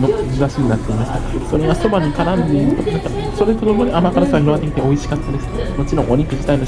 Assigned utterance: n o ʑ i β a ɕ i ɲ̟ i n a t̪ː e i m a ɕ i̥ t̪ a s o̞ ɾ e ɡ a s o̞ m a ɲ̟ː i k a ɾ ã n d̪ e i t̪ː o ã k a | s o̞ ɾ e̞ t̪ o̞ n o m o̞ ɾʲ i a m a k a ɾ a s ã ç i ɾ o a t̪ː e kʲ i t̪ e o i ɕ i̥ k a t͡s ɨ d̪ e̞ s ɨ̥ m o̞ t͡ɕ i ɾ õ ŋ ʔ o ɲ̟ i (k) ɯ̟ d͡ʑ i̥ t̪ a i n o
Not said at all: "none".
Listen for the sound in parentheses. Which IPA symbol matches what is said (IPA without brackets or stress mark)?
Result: k